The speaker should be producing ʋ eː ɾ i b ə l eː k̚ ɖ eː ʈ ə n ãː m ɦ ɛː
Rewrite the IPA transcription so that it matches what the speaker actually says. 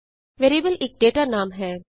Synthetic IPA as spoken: ʋ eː ɾ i b ə l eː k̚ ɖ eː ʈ a n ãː m ɦ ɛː